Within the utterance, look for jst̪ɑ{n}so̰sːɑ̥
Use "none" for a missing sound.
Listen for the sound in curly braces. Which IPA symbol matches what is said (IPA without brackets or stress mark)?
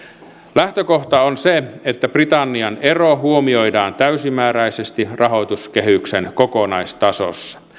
none